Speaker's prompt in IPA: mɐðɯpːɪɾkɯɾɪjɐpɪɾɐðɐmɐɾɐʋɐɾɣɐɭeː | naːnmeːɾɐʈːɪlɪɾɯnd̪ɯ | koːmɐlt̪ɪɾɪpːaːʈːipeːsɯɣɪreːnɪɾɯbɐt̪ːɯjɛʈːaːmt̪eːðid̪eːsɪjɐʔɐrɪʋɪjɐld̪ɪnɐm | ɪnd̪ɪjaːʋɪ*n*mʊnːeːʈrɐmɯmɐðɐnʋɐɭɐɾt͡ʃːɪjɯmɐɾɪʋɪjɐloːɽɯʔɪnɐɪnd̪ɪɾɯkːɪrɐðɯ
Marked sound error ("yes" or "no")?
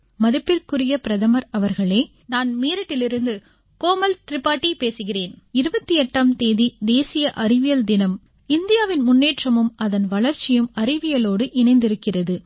no